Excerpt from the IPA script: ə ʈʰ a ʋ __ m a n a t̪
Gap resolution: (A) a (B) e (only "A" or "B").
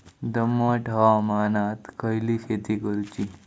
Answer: A